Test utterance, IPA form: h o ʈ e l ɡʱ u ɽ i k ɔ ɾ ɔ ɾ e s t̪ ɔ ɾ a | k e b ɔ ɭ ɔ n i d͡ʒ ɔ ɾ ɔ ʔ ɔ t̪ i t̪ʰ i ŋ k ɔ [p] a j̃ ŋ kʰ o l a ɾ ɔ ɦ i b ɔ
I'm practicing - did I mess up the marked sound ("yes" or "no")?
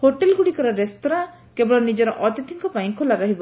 no